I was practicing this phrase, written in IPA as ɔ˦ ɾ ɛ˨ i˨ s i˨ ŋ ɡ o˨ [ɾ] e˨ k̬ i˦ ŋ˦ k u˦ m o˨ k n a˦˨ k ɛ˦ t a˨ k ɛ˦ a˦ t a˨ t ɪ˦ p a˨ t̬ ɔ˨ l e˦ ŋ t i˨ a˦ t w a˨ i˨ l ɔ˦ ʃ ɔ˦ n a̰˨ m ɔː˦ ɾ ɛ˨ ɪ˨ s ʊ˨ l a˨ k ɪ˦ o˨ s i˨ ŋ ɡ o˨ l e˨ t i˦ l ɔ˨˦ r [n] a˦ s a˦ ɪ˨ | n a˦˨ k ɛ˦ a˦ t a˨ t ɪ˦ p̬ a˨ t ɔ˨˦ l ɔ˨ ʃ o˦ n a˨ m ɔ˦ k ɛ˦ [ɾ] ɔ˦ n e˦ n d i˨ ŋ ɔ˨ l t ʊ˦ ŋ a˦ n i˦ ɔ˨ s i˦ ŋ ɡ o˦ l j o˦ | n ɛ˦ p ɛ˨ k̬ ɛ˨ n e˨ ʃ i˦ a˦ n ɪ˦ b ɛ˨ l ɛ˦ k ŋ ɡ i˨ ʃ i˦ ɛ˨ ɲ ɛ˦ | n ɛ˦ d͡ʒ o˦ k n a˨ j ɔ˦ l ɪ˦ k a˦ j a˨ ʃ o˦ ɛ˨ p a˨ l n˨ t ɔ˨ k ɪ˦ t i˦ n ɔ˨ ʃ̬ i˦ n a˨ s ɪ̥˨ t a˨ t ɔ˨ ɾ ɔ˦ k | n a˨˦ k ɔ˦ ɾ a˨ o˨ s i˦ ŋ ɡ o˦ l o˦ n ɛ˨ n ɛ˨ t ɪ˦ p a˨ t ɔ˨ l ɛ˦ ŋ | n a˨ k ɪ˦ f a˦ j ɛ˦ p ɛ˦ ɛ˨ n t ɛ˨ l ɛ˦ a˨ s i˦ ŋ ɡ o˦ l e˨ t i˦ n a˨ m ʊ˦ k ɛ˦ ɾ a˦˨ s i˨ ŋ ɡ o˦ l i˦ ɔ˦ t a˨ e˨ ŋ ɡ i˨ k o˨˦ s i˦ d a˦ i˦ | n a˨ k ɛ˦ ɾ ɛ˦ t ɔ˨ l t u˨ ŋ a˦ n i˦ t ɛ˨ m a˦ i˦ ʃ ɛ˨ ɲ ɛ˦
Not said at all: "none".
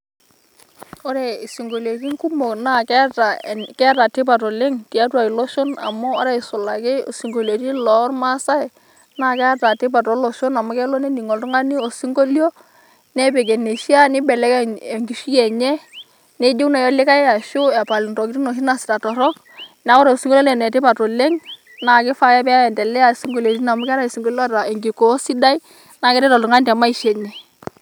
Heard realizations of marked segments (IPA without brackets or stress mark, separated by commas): l, m, l